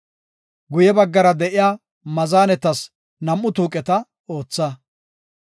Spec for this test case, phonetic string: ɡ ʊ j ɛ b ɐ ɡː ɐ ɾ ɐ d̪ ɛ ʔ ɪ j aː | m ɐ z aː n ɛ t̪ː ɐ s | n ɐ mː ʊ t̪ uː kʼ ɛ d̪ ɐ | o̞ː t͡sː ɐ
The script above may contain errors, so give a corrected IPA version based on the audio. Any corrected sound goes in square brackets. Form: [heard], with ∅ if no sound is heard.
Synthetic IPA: ɡ ʊ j ɛ b ɐ ɡː ɐ ɾ ɐ d̪ ɛ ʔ ɪ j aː | m ɐ z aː n ɛ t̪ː ɐ s | n ɐ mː ʊ t̪ uː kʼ ɛ [t̪] ɐ | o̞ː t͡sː ɐ

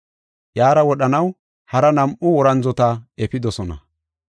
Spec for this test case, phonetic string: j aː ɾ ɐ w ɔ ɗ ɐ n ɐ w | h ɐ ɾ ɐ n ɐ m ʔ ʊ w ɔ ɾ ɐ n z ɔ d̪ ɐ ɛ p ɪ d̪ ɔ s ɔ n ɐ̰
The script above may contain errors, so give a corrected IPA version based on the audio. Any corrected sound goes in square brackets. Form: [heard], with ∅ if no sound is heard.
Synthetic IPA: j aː ɾ ɐ w ɔ ɗ ɐ n ɐ w | h ɐ ɾ ɐ n ɐ m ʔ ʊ w ɔ ɾ ɐ n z ɔ [t̪] ɐ ɛ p ɪ d̪ ɔ s ɔ n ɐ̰

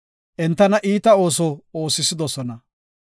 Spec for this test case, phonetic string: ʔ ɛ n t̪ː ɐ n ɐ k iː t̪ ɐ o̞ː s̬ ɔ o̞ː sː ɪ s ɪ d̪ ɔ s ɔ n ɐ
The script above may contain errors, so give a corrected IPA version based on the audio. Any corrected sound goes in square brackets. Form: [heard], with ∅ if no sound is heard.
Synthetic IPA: ʔ ɛ n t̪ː ɐ n ɐ [ʔ] iː t̪ ɐ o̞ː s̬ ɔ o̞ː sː ɪ s ɪ d̪ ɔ s ɔ n ɐ

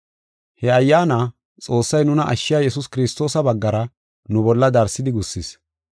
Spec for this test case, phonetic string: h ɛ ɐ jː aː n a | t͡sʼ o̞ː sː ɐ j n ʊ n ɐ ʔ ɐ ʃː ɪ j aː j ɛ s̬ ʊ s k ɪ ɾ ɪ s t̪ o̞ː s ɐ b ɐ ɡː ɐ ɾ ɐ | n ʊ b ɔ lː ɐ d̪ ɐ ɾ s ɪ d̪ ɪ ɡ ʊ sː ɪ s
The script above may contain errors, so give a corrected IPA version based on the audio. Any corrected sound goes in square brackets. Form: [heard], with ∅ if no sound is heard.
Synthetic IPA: h ɛ ɐ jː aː n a | t͡sʼ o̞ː sː ɐ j n ʊ n ɐ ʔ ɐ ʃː ɪ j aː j ɛ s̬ ʊ s k ɪ ɾ ɪ s t̪ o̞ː s ɐ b ɐ ɡː ɐ ɾ ɐ | n ʊ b ɔ lː ɐ d̪ ɐ ɾ s ɪ d̪ ɪ ɡ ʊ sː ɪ s

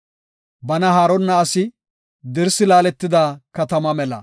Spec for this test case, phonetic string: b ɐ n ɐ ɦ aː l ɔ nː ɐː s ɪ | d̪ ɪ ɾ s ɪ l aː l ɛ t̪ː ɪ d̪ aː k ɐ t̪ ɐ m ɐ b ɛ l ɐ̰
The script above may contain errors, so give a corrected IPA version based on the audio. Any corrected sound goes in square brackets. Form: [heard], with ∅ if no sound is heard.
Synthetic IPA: b ɐ n ɐ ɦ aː [ɾ] ɔ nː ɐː s ɪ | d̪ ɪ ɾ s ɪ l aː l ɛ t̪ː ɪ d̪ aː k ɐ t̪ ɐ m ɐ [m] ɛ l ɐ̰

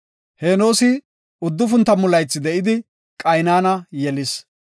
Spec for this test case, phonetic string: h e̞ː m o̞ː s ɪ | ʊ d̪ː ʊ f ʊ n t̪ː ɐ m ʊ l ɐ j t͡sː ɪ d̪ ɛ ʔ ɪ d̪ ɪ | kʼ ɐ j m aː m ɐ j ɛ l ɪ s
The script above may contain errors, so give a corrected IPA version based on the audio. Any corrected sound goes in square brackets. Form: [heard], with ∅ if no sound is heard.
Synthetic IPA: h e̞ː [n] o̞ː s ɪ | ʊ d̪ː ʊ f ʊ n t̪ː ɐ m ʊ l ɐ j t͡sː ɪ d̪ ɛ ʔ ɪ d̪ ɪ | kʼ ɐ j [n] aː [n] ɐ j ɛ l ɪ s

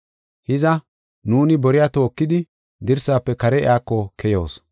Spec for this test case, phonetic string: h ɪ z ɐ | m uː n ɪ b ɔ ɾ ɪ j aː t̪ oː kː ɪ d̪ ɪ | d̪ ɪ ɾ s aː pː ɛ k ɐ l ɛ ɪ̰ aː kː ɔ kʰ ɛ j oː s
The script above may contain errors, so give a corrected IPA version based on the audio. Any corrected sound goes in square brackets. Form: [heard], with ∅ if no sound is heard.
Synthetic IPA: h ɪ z ɐ | [n] uː n ɪ b ɔ ɾ ɪ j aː t̪ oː kː ɪ d̪ ɪ | d̪ ɪ ɾ s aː pː ɛ k ɐ [ɾ] ɛ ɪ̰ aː kː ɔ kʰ ɛ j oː s

